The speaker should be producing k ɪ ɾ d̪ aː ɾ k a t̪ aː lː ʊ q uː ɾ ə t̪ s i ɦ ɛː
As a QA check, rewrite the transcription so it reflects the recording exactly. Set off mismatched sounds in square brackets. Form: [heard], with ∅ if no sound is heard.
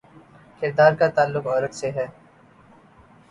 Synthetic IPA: k ɪ ɾ d̪ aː ɾ k a t̪ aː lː ʊ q [ɔː] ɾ ə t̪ s [e] ɦ ɛː